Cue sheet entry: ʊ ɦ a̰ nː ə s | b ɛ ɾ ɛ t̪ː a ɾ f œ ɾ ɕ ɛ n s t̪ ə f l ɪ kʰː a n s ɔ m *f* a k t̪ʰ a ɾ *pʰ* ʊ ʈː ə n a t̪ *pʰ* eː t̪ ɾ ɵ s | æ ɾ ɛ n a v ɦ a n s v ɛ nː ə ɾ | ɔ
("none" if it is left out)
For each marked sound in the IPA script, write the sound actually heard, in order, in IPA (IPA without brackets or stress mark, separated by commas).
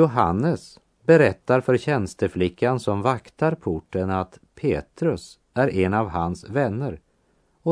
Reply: v, pʰ, pʰ